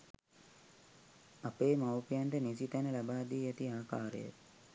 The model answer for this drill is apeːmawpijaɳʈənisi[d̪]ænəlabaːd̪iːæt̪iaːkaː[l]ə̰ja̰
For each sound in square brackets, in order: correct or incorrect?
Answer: incorrect: t̪, incorrect: ɾ

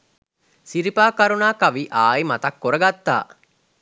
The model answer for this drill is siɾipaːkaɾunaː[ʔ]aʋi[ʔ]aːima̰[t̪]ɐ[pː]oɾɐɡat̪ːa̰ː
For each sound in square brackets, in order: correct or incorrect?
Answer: incorrect: k, correct, correct, incorrect: kː

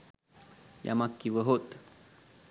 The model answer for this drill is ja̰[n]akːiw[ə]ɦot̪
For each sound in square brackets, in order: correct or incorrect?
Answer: incorrect: m, correct

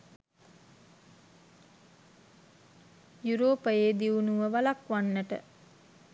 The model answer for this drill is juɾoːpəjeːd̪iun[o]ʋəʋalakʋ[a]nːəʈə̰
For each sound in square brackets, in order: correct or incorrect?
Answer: incorrect: u, correct

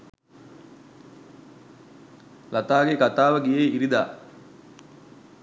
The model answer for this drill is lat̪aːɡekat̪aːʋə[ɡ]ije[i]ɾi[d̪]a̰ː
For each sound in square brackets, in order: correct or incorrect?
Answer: correct, correct, correct

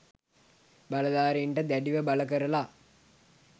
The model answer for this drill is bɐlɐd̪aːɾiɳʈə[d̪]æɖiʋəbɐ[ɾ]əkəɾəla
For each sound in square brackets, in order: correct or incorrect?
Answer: correct, incorrect: l

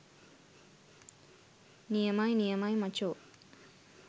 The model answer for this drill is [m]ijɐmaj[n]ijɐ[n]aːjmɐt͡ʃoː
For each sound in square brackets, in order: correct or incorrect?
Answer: incorrect: n, correct, incorrect: m

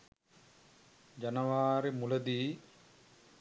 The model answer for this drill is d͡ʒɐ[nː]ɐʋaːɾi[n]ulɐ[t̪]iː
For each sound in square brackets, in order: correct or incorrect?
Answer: incorrect: n, incorrect: m, incorrect: d̪

